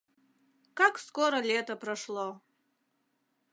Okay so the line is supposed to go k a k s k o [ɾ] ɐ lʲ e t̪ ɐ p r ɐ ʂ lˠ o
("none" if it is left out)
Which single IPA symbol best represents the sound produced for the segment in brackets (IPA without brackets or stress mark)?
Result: ɾ